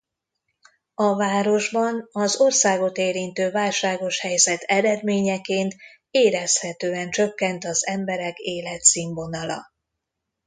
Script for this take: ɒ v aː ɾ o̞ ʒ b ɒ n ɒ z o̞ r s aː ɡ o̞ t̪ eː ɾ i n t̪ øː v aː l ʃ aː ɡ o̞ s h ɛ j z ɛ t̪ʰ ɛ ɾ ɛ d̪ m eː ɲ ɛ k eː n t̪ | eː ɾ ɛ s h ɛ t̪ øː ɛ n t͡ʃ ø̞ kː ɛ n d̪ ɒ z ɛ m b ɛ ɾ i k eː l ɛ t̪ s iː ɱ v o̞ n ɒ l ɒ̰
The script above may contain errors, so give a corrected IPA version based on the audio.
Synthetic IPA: ɒ v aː ɾ o̞ ʒ b ɒ n ɒ z o̞ r s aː ɡ o̞ t̪ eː ɾ i n t̪ øː v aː l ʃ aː ɡ o̞ ʃ h ɛ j z ɛ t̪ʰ ɛ ɾ ɛ d̪ m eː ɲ ɛ k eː n t̪ | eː ɾ ɛ s h ɛ t̪ øː ɛ n t͡ʃ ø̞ kː ɛ n t̪ ɒ z ɛ m b ɛ ɾ ɛ k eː l ɛ t̪ s iː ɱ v o̞ n ɒ l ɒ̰